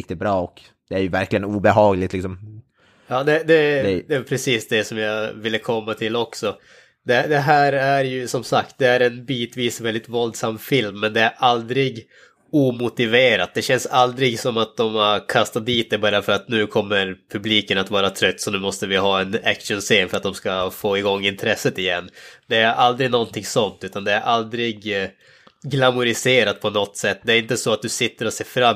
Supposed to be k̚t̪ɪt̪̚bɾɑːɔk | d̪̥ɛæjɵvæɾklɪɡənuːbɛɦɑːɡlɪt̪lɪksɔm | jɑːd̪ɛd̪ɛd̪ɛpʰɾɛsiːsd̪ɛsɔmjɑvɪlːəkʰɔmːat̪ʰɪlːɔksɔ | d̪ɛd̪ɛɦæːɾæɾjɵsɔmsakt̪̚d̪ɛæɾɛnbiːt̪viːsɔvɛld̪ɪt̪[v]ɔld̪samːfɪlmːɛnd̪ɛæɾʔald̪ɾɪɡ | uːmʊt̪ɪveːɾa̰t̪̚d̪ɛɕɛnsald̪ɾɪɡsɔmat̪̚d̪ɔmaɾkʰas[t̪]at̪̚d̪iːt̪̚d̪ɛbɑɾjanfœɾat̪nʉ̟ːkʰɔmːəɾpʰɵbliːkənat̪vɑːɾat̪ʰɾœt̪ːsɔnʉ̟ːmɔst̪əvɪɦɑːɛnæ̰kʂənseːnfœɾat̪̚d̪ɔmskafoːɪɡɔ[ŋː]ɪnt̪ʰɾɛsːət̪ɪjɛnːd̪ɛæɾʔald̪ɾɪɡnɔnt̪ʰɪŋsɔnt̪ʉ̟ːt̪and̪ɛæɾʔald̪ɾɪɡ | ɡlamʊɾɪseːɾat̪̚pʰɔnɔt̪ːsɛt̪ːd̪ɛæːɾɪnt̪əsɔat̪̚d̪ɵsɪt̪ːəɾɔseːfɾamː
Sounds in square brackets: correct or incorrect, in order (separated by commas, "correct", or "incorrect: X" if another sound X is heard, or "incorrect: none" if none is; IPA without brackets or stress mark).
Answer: correct, correct, correct